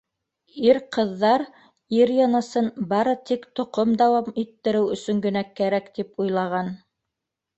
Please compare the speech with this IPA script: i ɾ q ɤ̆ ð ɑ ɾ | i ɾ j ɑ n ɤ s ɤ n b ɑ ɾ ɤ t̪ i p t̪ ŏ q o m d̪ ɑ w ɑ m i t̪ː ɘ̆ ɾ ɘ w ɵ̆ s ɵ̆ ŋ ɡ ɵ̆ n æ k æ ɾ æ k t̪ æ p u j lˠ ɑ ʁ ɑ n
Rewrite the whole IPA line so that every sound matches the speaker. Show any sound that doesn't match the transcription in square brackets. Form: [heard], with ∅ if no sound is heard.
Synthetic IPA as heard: i ɾ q ɤ̆ [ðː] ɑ ɾ | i ɾ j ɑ n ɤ s ɤ n b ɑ ɾ ɤ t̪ i [k] t̪ ŏ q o m d̪ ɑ w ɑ m i t̪ː ɘ̆ ɾ ɘ w ɵ̆ s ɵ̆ ŋ ɡ ɵ̆ n æ k æ ɾ æ k t̪ [i] p u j lˠ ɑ ʁ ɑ n